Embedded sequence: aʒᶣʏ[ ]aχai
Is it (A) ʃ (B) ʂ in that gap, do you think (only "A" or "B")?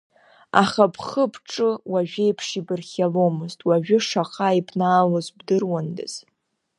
B